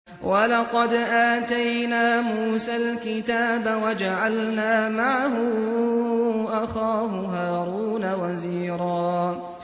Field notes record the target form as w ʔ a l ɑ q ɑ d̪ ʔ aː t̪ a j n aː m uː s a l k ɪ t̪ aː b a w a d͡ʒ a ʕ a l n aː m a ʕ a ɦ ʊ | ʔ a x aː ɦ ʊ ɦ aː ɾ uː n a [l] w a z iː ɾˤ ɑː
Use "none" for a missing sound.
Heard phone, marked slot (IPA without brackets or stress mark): none